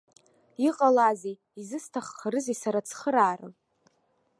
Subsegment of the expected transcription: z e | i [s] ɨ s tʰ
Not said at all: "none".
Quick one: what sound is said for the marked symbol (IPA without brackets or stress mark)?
z